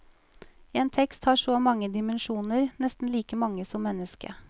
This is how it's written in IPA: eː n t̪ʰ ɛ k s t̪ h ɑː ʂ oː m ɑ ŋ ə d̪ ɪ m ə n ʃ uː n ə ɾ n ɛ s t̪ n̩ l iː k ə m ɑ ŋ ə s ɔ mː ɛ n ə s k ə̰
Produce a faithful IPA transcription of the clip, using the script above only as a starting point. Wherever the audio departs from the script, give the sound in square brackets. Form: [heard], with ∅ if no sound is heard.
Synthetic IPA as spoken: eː n t̪ʰ ɛ k s t̪ h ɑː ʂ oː m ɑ ŋ ə d̪ ɪ m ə n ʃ uː n ə ɾ n ɛ s t̪ n̩ l iː k ə m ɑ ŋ ə s ɔ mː ɛ n ə s k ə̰